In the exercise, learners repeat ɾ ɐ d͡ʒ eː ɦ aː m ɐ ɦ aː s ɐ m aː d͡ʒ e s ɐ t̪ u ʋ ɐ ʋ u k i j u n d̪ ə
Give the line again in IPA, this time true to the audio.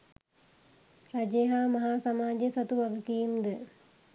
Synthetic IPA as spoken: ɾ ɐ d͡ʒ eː ɦ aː m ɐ ɦ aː s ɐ m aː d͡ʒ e s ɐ t̪ u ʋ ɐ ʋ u k i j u m d̪ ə